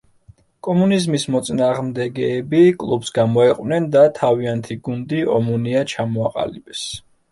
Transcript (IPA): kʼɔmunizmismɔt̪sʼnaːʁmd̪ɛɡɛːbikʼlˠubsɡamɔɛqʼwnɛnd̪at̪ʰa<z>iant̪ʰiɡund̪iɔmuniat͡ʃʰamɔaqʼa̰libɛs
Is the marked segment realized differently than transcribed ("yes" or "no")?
yes